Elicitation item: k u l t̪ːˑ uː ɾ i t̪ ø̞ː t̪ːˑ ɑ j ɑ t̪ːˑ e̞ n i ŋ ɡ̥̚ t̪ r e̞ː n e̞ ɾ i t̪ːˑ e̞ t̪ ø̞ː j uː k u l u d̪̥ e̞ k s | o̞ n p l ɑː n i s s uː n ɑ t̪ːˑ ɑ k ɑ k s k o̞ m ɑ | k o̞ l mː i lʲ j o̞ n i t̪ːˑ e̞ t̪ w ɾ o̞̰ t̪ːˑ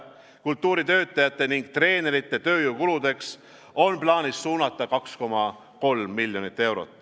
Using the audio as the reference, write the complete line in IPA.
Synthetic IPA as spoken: k u l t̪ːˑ uː ɾ i t̪ ø̞ː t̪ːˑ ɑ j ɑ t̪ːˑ e̞ n i ŋ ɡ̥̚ t̪ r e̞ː n e̞ ɾ i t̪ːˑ e̞ t̪ ø̞ː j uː k u l u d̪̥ e̞ k s | o̞ n p l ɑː n i s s uː n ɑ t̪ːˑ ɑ k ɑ k s k o̞ m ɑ | k o̞ l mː i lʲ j o̞ n i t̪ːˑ e̞ w ɾ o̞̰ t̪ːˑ